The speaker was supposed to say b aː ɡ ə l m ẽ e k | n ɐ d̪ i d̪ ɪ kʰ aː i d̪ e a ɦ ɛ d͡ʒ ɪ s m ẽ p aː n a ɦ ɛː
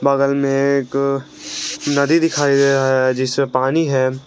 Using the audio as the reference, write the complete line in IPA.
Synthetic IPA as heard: b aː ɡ ə l m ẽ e k | n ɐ d̪ i d̪ ɪ kʰ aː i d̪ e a ɦ ɛ d͡ʒ ɪ s m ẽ p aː n i ɦ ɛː